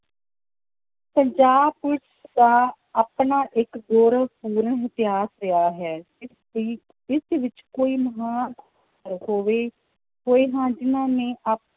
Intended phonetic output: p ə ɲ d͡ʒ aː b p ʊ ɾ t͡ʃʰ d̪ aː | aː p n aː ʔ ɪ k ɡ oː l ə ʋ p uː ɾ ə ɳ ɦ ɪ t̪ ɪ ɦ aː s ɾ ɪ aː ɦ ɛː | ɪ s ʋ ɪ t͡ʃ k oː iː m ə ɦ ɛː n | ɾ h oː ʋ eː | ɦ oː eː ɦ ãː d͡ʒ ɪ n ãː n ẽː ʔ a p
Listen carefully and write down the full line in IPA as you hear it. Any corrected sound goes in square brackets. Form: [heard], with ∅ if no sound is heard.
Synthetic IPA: p ə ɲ d͡ʒ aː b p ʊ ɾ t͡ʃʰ d̪ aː | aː p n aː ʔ ɪ k ɡ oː [ɾ] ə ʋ p uː ɾ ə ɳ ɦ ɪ t̪ ɪ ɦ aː s ɾ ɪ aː ɦ ɛː | ɪ s ʋ ɪ t͡ʃ k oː iː m ə ɦ [aː] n | ɾ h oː ʋ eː | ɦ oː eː ɦ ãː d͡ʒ ɪ n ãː n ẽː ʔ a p